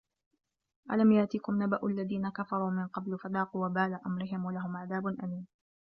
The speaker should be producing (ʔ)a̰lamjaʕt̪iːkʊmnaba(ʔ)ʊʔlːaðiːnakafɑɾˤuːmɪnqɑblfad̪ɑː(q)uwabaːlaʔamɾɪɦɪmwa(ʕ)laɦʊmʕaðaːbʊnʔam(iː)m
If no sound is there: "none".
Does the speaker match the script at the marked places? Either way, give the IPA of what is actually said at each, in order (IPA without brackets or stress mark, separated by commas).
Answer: ʔ, ʔ, q, none, iː